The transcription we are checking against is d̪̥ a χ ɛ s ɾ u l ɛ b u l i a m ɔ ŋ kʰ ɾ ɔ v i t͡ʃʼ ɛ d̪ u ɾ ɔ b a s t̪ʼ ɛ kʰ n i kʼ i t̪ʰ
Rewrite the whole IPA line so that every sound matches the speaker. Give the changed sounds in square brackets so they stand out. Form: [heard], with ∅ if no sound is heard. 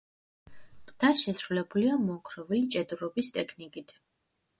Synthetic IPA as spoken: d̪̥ a [ʃ] ɛ s ɾ u l ɛ b u l i a m ɔ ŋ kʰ ɾ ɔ v i t͡ʃʼ ɛ d̪ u ɾ ɔ b [i] s t̪ʼ ɛ kʰ n i kʼ i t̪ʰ